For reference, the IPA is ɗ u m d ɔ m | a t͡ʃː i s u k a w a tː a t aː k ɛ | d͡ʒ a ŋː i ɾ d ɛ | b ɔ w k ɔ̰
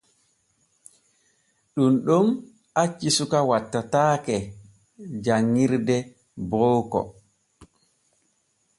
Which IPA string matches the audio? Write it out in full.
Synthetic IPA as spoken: ɗ u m ɗ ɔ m | a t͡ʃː i s u k a w a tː a t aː k ɛ | d͡ʒ a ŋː i ɾ d ɛ | b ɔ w k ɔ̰